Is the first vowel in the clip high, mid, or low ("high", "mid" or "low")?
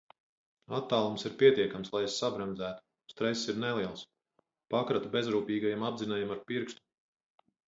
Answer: low